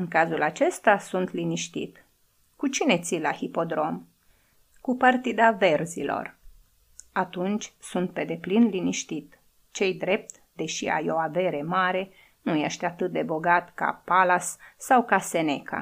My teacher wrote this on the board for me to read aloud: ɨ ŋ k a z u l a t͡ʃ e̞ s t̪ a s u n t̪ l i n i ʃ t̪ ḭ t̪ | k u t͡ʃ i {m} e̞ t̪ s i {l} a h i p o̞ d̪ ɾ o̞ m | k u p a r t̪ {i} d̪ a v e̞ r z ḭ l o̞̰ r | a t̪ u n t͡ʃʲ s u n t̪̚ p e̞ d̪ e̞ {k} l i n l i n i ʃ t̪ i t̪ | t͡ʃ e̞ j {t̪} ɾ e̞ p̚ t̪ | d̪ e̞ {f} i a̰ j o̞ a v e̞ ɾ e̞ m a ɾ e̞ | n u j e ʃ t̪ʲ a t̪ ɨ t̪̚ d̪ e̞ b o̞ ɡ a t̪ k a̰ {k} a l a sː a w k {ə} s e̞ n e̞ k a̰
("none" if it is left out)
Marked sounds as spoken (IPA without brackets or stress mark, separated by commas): n, l, i, p, d̪, ʃ, p, a